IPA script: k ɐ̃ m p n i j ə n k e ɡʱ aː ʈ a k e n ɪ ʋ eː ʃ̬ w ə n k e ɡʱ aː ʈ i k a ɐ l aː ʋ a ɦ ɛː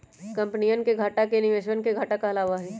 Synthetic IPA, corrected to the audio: k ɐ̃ m p n i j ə n k e ɡʱ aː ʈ a k e n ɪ ʋ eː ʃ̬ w ə n k e ɡʱ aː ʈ a k a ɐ l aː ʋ a ɦ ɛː